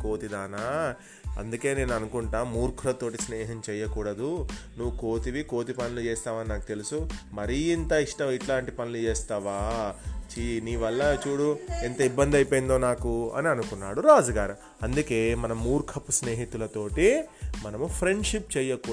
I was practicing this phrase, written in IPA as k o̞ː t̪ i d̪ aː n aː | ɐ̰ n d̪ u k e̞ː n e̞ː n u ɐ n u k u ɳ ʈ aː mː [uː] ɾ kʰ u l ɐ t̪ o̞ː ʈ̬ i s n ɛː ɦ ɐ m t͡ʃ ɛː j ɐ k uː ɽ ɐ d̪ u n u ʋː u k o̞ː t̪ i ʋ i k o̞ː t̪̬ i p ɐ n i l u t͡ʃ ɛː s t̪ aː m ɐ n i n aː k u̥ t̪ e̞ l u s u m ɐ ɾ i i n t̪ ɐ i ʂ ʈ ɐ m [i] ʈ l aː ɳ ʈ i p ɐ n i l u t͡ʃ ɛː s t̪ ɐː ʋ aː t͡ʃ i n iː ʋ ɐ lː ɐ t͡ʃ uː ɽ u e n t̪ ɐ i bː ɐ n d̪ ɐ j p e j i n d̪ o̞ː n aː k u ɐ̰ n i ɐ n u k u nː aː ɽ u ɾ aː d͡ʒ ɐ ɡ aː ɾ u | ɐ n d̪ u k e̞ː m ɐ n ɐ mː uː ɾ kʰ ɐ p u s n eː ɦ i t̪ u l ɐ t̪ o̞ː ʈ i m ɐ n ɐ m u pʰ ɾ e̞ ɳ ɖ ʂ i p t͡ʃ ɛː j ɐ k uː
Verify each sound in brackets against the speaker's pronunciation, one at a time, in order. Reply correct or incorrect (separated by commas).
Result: correct, correct